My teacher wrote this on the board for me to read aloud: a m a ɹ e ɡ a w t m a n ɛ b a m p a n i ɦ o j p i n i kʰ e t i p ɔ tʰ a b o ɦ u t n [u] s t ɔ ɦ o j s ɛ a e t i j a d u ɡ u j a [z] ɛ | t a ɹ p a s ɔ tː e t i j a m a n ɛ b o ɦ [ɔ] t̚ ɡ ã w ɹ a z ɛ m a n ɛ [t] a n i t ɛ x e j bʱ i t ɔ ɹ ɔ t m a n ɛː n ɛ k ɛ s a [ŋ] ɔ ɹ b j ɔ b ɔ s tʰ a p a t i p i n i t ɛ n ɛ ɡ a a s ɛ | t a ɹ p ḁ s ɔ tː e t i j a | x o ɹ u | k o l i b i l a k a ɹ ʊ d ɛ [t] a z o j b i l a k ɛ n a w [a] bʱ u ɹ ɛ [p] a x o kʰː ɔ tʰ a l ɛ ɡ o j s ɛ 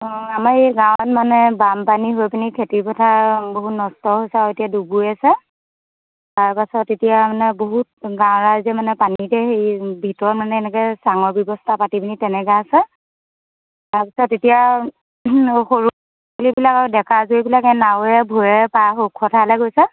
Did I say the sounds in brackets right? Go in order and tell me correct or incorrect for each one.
incorrect: ɔ, incorrect: s, incorrect: u, incorrect: p, correct, incorrect: k, incorrect: ɛ, correct

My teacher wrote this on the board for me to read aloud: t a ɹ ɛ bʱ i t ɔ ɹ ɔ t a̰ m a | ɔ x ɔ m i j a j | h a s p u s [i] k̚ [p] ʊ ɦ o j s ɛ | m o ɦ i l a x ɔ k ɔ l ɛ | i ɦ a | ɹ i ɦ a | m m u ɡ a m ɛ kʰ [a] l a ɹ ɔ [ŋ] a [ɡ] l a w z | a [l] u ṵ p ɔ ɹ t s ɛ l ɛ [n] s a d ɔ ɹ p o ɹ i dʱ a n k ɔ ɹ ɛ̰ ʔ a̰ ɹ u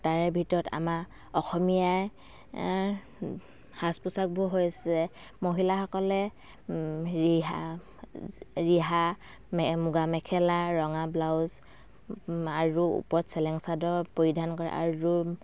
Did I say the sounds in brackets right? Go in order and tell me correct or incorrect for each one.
incorrect: a, incorrect: b, incorrect: ɛ, correct, incorrect: b, incorrect: ɹ, incorrect: ŋ

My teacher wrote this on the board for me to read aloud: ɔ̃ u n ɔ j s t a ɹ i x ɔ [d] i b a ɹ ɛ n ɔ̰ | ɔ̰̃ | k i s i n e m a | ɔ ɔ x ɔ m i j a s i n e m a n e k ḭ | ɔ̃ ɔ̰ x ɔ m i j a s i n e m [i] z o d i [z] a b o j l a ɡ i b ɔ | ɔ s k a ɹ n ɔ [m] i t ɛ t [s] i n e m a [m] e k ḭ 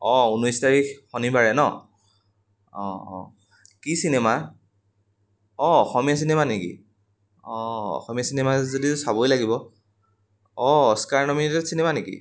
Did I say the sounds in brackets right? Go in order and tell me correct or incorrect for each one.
incorrect: n, incorrect: a, incorrect: s, correct, correct, incorrect: n

